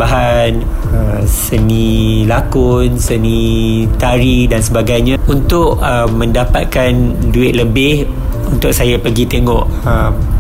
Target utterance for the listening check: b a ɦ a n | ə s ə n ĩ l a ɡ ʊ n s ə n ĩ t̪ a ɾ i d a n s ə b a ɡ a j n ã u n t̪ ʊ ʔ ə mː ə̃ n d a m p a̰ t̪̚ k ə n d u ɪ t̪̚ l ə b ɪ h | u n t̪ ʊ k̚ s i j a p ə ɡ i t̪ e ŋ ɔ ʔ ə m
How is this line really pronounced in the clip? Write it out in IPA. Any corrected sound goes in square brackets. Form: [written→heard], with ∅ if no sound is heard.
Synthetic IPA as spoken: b a ɦ a n | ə s ə n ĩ l a [ɡ→k] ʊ n s ə n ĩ t̪ a ɾ i d a n s ə b a ɡ a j [n→ɲ] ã u n t̪ ʊ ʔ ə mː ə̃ n d a [m→∅] p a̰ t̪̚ k [ə→a] n d u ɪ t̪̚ l ə b ɪ h | u n t̪ ʊ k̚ s [i→a] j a p ə ɡ i t̪ e ŋ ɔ ʔ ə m